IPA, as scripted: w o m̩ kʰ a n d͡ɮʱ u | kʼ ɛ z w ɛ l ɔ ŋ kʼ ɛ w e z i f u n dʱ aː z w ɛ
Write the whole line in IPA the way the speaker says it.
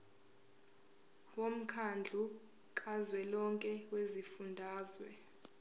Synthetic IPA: w o m̩ kʰ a n d͡ɮʱ u | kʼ a z w ɛ l ɔ ŋ kʼ ɛ w e z i f u n dʱ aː z w ɛ